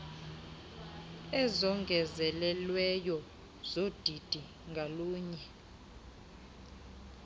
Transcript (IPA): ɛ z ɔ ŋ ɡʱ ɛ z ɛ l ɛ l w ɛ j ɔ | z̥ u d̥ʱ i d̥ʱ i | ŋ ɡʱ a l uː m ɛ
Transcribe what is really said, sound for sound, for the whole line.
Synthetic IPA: ɛ z ɔ ŋ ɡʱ ɛ z ɛ l ɛ l w ɛ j ɔ | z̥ o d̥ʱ i d̥ʱ i | ŋ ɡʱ a l uː ɲ ɛ